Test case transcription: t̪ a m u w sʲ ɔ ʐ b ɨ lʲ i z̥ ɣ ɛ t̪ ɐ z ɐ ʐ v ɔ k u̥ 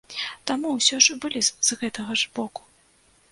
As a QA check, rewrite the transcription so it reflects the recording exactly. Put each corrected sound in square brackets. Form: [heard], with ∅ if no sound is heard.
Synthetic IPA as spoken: t̪ a m u w sʲ ɔ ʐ b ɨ lʲ i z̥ ɣ ɛ t̪ ɐ [ɣ] ɐ ʐ [b] ɔ k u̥